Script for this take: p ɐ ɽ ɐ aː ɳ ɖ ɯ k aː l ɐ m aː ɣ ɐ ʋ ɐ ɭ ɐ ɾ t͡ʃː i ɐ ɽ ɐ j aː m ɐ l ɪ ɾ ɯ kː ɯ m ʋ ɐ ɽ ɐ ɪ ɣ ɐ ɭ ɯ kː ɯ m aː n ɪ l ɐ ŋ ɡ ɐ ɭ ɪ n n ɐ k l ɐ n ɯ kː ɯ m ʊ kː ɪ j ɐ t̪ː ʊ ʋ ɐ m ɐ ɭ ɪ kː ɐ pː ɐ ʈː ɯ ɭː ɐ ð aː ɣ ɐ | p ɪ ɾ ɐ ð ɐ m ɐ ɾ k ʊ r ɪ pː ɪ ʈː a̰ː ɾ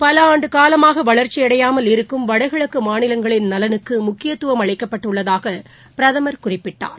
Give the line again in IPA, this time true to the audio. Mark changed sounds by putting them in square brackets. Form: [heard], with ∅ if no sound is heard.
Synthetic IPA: p ɐ [l] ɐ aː ɳ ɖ ɯ k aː l ɐ m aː ɣ ɐ ʋ ɐ ɭ ɐ ɾ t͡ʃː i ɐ ɽ ɐ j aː m ɐ l ɪ ɾ ɯ kː ɯ m ʋ ɐ ɽ ɐ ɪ ɣ ɐ ɭ ɯ kː ɯ m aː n ɪ l ɐ ŋ ɡ ɐ ɭ ɪ n n ɐ [∅] l ɐ n ɯ kː ɯ m ʊ kː ɪ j ɐ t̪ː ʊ ʋ ɐ m ɐ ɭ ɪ kː ɐ pː ɐ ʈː ɯ ɭː ɐ ð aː ɣ ɐ | p ɪ ɾ ɐ ð ɐ m ɐ ɾ k ʊ r ɪ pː ɪ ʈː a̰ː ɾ

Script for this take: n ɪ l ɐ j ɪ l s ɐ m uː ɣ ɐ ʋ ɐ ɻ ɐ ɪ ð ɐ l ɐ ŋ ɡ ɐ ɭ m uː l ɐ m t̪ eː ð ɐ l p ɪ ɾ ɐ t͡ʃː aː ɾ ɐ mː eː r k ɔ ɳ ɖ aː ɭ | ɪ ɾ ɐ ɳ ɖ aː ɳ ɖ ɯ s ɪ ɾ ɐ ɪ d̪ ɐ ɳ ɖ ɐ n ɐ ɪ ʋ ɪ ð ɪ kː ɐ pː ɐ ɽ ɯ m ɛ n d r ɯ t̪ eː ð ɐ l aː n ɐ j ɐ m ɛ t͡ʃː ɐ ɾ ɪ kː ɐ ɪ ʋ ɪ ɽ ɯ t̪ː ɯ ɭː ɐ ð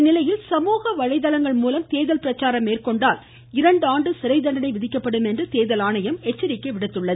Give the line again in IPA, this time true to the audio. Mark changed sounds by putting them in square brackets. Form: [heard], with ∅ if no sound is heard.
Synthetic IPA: n ɪ l ɐ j ɪ l s ɐ m uː ɣ ɐ ʋ ɐ ɻ ɐ ɪ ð ɐ l ɐ ŋ ɡ ɐ ɭ m uː l ɐ m t̪ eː ð ɐ l p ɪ ɾ ɐ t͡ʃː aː ɾ ɐ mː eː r k ɔ ɳ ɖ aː [l] | ɪ ɾ ɐ ɳ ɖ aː ɳ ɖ ɯ s ɪ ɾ ɐ ɪ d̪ ɐ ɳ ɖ ɐ n ɐ ɪ ʋ ɪ ð ɪ kː ɐ pː ɐ ɽ ɯ m ɛ n d r ɯ t̪ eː ð ɐ l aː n ɐ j ɐ m ɛ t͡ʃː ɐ ɾ ɪ kː ɐ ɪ ʋ ɪ ɽ ɯ t̪ː ɯ ɭː ɐ ð

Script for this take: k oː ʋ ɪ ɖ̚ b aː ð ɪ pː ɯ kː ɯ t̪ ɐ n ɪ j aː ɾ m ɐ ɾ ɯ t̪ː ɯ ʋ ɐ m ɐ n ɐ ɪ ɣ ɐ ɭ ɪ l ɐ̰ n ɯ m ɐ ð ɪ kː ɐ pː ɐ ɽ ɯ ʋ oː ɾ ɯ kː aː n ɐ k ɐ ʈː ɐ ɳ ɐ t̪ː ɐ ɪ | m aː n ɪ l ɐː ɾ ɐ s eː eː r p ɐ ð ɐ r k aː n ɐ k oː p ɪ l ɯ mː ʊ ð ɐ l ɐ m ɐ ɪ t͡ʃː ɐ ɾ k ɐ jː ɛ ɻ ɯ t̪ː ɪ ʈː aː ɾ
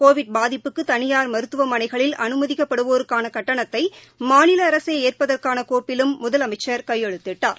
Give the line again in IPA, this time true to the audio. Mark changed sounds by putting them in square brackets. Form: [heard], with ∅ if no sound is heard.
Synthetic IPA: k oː ʋ ɪ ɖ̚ b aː ð ɪ pː ɯ kː ɯ t̪ ɐ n ɪ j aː ɾ m ɐ ɾ ɯ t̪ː ɯ ʋ ɐ m ɐ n ɐ ɪ ɣ ɐ ɭ ɪ l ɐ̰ n ɯ m ɐ ð ɪ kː ɐ pː ɐ ɽ ɯ ʋ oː ɾ ɯ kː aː n ɐ k ɐ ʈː ɐ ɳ ɐ t̪ː ɐ ɪ | m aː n ɪ l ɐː ɾ ɐ s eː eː r p ɐ ð ɐ r k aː n ɐ k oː p ɪ l ɯ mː ʊ ð ɐ l ɐ m ɐ ɪ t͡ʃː ɐ ɾ k ɐ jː ɛ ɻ ɯ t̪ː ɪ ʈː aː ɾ

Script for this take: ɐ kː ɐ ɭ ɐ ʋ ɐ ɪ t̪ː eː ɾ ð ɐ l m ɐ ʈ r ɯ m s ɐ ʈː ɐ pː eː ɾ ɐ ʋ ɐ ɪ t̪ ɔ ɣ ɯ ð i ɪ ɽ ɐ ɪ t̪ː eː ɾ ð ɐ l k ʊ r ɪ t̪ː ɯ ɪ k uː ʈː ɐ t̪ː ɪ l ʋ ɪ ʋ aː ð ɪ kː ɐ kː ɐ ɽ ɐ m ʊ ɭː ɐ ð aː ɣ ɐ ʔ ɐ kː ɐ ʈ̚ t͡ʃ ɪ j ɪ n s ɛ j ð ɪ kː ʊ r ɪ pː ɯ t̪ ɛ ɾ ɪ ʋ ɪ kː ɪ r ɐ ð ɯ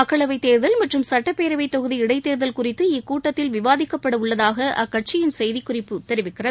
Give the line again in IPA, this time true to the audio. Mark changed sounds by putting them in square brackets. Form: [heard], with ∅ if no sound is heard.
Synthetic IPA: ɐ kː ɐ ɭ ɐ ʋ ɐ ɪ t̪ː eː ɾ ð ɐ l m ɐ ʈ r ɯ m s ɐ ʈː ɐ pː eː ɾ ɐ ʋ ɐ ɪ t̪ ɔ ɣ ɯ ð i ɪ ɽ ɐ ɪ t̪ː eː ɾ ð ɐ l k ʊ r ɪ t̪ː ɯ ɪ k uː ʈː ɐ t̪ː ɪ l ʋ ɪ ʋ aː ð ɪ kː ɐ [pː] ɐ ɽ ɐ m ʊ ɭː ɐ ð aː ɣ ɐ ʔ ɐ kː ɐ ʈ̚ t͡ʃ ɪ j ɪ n s ɛ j ð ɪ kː ʊ r ɪ pː ɯ t̪ ɛ ɾ ɪ ʋ ɪ kː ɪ r ɐ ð ɯ

